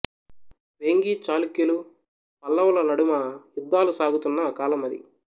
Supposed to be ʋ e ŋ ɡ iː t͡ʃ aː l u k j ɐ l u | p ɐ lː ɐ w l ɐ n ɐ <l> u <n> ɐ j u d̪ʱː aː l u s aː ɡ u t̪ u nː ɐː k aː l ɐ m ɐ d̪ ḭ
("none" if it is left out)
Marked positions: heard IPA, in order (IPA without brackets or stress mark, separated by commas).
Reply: ɽ, m